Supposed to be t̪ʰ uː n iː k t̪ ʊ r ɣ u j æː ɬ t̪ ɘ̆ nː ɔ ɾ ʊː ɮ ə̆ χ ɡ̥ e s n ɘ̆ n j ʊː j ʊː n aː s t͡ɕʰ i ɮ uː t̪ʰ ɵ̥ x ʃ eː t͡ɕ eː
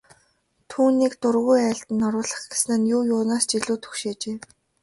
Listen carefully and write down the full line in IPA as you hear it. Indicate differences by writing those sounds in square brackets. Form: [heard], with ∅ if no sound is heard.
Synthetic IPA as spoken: t̪ʰ uː n iː k t̪ ʊ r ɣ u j æː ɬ t̪ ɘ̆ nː ɔ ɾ ʊː ɮ ə̆ χ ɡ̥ e s n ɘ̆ n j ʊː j ʊː n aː s [t͡ɕ] i ɮ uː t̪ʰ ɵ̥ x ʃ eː t͡ɕ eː